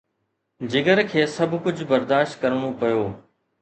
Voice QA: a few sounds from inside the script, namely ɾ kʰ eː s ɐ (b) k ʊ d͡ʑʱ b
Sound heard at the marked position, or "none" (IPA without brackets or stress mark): b